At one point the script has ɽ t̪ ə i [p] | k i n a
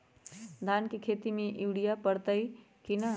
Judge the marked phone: incorrect: none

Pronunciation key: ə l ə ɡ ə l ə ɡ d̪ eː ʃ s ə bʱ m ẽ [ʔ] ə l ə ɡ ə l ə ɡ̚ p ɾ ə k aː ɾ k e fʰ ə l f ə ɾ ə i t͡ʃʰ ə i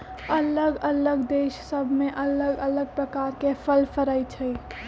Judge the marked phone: correct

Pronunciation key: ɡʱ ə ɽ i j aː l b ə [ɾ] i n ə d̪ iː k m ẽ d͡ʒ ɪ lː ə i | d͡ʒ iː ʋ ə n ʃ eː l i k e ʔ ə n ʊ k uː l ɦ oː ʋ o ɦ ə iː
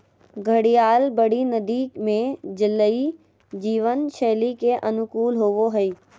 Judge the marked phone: incorrect: ɽ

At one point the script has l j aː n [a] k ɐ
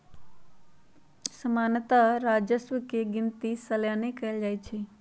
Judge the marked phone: incorrect: e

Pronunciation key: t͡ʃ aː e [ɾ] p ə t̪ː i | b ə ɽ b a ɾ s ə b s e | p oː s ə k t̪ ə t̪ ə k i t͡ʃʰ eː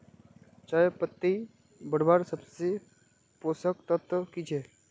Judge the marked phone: incorrect: none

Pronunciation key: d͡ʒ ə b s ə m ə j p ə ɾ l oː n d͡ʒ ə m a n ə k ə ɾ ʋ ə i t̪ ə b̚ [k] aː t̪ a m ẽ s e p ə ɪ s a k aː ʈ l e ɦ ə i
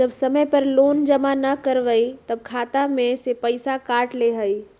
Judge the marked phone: incorrect: kʰ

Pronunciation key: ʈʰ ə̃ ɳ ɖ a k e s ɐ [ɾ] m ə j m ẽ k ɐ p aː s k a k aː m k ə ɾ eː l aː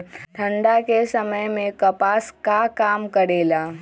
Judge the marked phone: incorrect: none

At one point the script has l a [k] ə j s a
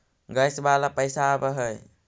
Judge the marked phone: incorrect: p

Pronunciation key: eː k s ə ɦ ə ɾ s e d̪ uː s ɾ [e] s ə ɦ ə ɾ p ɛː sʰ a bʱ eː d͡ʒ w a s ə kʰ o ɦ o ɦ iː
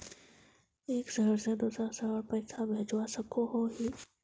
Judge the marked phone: incorrect: a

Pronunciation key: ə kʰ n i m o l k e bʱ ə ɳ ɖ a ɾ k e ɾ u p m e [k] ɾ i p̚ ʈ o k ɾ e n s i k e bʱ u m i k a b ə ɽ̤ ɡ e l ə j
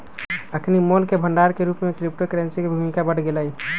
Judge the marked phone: correct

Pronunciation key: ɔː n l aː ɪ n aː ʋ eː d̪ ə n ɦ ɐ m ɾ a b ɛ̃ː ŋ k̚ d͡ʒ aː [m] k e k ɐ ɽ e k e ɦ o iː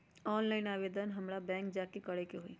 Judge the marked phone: incorrect: none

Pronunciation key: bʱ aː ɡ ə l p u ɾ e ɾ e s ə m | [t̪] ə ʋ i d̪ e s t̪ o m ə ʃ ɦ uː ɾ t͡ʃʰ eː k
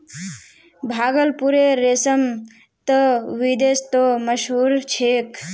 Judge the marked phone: correct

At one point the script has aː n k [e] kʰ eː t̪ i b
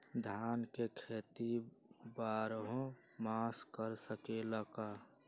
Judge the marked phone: correct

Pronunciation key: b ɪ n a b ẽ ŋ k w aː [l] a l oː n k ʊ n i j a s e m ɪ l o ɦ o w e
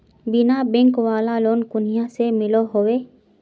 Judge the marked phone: correct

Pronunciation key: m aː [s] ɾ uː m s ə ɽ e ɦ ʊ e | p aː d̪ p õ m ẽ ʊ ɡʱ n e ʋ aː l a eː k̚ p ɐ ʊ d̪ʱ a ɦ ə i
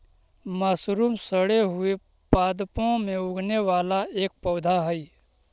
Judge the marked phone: correct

